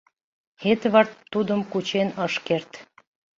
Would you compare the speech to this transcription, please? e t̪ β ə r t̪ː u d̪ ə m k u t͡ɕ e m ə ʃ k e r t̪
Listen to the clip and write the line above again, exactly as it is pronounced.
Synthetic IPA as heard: e t̪ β ɑ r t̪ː u d̪ ə m k u t͡ɕ e n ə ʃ k e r t̪